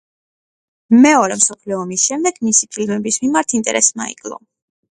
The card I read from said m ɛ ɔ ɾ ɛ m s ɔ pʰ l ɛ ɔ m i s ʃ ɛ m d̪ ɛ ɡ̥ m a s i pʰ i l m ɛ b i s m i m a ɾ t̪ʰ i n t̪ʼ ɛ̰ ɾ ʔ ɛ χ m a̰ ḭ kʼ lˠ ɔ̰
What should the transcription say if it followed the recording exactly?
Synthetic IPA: m ɛ ɔ ɾ ɛ m s ɔ pʰ l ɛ ɔ m i s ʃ ɛ m d̪ ɛ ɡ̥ m i s i pʰ i l m ɛ b i s m i m a ɾ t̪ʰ i n t̪ʼ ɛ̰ ɾ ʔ ɛ s m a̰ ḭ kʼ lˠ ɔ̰